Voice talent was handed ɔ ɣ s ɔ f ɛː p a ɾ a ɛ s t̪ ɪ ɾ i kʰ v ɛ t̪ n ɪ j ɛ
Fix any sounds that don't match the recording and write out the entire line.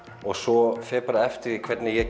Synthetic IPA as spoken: ɔ ɣ s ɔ f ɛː p a ɾ a ɛ f t̪ ɪ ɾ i kʰ v ɛ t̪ n ɪ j ɛ